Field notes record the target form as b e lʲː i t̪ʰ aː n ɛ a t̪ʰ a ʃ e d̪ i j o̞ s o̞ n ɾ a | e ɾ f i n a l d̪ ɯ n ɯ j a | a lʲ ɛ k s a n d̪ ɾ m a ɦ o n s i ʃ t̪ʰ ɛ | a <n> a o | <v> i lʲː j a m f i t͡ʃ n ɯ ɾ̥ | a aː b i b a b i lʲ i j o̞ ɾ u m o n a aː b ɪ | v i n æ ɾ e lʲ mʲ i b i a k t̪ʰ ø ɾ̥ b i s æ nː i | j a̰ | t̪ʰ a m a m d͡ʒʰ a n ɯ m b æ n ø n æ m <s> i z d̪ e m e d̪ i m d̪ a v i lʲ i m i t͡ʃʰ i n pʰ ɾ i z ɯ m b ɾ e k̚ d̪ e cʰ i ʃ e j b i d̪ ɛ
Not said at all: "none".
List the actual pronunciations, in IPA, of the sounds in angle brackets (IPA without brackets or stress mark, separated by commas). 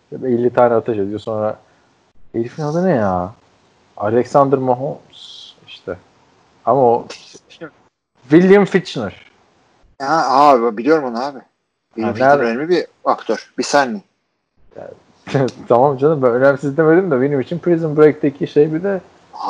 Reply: m, v, s